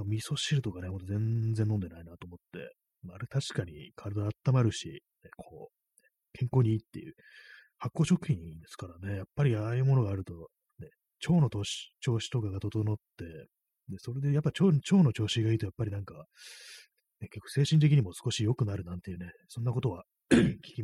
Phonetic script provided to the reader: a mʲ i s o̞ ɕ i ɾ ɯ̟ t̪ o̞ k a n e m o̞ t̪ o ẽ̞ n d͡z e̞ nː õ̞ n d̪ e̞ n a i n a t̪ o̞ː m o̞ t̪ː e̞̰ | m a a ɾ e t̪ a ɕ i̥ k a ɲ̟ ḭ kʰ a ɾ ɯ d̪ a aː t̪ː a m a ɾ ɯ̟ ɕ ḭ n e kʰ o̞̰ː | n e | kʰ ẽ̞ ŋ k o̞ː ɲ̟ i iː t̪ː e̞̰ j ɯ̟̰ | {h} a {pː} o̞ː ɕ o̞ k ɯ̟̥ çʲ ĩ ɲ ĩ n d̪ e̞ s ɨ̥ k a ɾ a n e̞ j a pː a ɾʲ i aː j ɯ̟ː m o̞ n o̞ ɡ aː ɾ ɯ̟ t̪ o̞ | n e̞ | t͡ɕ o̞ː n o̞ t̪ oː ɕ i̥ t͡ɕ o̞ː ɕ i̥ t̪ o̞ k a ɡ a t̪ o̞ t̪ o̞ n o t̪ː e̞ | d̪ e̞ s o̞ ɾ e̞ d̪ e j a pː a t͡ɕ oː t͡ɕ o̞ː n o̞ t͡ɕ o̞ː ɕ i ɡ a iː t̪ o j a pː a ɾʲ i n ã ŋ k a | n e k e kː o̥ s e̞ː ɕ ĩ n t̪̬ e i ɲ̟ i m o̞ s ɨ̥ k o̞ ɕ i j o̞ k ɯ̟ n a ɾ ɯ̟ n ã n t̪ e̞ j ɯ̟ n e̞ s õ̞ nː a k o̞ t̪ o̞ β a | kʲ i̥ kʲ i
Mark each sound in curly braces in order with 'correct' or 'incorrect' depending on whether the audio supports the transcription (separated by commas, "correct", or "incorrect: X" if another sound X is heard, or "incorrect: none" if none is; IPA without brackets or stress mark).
correct, incorrect: kː